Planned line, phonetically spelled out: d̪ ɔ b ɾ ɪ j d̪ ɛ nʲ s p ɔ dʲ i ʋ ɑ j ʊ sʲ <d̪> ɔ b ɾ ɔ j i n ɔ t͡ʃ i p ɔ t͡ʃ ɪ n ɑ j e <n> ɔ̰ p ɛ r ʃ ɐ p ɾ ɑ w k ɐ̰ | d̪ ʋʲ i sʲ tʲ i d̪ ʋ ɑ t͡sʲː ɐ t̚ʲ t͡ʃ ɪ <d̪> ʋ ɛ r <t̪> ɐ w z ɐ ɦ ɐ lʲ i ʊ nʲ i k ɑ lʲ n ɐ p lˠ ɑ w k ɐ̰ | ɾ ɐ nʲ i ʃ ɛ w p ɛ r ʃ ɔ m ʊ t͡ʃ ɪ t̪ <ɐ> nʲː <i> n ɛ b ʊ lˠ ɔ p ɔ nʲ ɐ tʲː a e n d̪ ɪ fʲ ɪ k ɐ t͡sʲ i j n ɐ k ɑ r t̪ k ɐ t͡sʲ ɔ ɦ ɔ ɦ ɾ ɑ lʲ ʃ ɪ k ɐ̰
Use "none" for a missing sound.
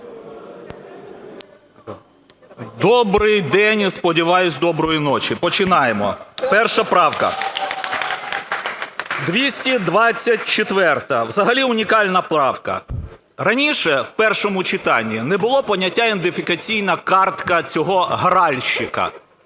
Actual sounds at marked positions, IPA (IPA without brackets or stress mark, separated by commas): d̪, m, t̪, t̪, ɑ, i